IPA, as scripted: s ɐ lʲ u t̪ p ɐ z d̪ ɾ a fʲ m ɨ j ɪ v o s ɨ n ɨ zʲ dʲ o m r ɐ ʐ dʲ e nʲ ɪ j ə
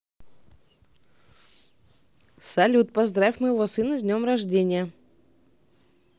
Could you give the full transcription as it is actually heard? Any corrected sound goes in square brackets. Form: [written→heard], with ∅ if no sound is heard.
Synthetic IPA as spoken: s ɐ lʲ u t̪ p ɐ z d̪ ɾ a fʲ m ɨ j ɪ v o s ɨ n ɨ zʲ [dʲ→nʲ] o m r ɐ ʐ dʲ e nʲ ɪ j ə